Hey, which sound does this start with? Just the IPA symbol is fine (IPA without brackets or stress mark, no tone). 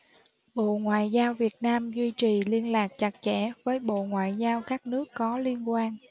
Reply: ɓ